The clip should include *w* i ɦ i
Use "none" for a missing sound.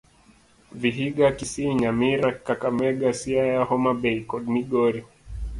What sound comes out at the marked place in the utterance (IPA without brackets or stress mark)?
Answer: v